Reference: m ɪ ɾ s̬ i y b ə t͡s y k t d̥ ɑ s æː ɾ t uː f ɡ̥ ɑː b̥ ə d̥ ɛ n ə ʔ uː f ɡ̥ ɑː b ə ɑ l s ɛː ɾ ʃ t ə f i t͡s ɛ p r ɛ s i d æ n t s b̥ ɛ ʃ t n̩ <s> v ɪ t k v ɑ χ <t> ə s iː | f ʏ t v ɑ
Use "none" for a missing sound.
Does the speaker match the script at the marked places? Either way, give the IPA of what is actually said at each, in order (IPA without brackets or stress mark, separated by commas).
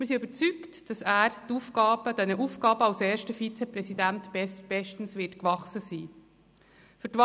s, s